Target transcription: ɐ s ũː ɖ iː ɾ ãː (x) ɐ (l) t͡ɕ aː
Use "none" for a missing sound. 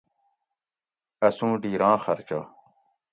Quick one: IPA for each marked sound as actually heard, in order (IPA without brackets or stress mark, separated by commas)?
x, ɾ